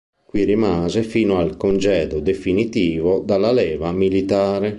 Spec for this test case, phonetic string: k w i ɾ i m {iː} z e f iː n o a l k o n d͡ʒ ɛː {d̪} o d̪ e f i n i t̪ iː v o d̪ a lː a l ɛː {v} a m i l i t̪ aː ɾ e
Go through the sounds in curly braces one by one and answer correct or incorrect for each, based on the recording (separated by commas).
incorrect, correct, correct